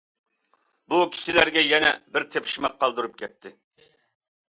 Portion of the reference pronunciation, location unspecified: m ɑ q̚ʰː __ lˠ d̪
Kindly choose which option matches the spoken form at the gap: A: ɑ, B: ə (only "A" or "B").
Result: A